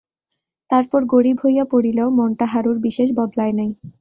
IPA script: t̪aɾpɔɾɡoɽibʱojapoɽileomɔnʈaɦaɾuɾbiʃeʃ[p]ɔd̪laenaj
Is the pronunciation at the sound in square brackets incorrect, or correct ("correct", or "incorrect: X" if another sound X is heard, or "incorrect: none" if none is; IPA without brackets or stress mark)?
incorrect: b